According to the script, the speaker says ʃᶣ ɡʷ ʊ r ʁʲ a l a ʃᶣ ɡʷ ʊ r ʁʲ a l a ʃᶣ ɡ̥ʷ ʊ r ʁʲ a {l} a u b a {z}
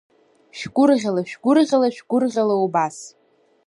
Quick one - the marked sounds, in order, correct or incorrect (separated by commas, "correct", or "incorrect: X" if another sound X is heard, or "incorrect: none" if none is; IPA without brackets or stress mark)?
correct, incorrect: s